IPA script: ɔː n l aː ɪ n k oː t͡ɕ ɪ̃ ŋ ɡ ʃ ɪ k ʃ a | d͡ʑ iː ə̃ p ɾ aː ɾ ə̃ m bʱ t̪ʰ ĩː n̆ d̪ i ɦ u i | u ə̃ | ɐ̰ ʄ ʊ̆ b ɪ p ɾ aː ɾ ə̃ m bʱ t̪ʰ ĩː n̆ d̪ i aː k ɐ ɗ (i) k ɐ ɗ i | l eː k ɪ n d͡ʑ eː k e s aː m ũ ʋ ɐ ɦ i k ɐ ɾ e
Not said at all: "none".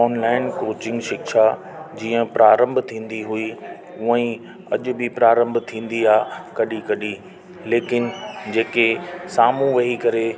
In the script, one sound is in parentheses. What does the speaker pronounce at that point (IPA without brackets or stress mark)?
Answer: i